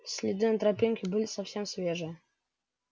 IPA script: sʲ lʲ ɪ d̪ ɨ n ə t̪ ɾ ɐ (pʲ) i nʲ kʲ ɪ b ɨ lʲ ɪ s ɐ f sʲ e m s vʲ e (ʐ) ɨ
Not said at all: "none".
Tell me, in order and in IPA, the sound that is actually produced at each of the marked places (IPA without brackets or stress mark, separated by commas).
pʲ, ʐ